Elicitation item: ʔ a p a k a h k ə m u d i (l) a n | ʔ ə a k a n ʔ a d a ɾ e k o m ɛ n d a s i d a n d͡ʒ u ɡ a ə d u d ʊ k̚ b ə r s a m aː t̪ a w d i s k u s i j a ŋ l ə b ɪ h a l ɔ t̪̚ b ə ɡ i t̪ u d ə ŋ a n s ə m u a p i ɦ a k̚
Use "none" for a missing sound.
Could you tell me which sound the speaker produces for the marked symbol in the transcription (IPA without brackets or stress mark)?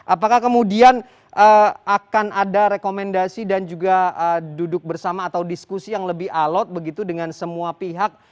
none